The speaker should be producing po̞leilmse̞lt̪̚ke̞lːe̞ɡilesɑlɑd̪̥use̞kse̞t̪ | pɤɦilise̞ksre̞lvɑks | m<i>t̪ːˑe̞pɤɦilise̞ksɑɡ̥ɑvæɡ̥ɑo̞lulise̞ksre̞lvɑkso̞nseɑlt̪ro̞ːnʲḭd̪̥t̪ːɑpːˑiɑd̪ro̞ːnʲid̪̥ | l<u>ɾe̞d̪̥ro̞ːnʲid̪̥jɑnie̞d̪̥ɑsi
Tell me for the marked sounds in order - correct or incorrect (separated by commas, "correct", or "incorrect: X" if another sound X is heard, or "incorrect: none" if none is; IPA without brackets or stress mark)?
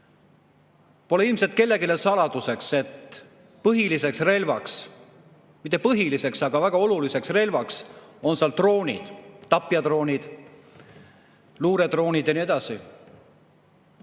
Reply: correct, incorrect: uː